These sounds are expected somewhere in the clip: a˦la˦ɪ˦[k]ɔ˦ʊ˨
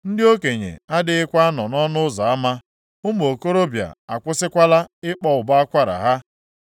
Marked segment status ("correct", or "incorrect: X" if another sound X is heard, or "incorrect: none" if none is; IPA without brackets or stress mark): incorrect: k͡p